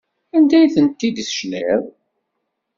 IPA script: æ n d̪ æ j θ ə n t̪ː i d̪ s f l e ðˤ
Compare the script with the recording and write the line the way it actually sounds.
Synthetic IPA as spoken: æ n d̪ æ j θ ə n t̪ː i d̪ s ʃ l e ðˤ